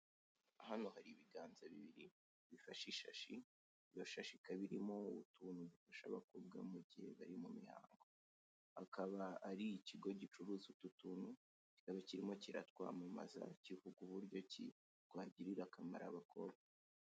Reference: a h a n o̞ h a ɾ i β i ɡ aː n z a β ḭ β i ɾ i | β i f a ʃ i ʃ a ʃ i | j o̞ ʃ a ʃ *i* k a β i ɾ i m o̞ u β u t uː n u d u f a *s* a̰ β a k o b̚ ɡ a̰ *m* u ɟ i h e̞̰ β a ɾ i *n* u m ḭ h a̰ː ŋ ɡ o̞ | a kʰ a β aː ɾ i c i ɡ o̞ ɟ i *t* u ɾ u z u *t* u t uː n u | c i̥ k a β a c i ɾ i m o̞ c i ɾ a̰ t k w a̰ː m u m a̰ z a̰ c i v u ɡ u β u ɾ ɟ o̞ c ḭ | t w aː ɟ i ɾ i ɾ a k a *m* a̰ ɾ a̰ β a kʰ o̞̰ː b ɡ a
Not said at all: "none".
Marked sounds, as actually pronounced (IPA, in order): i, ʃ, m, m, t͡ʃ, t, m

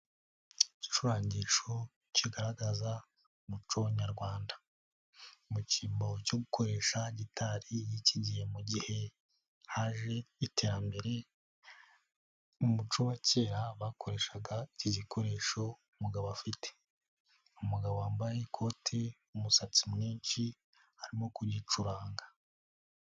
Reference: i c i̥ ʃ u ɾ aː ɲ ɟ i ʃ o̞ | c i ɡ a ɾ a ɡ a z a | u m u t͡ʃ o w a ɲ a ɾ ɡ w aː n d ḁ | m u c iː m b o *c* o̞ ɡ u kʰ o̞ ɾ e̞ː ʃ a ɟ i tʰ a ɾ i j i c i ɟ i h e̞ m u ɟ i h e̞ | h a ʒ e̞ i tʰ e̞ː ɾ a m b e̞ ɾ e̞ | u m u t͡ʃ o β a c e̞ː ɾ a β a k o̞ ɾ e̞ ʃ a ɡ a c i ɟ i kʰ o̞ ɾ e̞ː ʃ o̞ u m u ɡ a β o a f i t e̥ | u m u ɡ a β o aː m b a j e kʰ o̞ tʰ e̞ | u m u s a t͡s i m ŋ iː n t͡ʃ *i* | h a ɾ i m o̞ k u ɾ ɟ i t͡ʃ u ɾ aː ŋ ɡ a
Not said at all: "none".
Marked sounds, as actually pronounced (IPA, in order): c, i

